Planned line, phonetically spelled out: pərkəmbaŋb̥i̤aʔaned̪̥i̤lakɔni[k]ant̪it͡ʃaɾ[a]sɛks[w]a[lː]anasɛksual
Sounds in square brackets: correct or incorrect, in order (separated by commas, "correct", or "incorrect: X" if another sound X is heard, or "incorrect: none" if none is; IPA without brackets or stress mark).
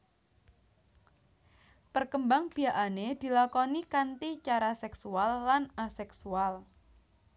correct, correct, incorrect: u, correct